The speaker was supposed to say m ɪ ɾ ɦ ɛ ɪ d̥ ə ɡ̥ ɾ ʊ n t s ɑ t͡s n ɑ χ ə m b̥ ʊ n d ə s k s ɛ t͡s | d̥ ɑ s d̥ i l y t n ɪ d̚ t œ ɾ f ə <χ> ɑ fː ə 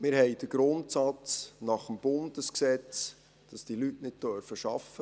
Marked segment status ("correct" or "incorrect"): incorrect